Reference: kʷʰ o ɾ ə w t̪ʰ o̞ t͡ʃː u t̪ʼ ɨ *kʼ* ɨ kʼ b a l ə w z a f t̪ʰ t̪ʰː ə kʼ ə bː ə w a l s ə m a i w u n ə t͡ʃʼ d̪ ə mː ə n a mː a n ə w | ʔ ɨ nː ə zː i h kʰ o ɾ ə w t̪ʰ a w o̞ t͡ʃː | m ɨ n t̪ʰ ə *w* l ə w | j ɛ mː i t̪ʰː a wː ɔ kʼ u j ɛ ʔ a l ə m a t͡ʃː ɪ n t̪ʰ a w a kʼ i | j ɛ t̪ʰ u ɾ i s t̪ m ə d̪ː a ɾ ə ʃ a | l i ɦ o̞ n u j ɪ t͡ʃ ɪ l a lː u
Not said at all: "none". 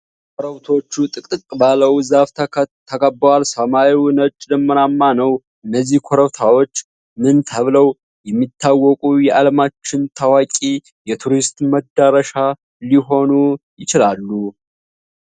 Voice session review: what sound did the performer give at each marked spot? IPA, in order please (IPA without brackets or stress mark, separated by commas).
kʼ, β